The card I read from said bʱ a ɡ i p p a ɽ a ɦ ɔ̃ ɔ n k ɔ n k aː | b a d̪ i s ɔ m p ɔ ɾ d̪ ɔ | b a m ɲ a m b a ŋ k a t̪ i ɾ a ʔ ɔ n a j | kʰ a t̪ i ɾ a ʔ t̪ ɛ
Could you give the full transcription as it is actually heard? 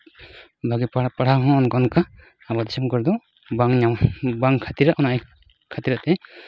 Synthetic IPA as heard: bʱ a ɡ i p p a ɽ a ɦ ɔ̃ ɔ n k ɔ n k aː | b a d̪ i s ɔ m k ɔ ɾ d̪ ɔ | b a ŋ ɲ a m b a ŋ kʰ a t̪ i ɾ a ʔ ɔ n a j | kʰ a t̪ i ɾ a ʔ t̪ ɛ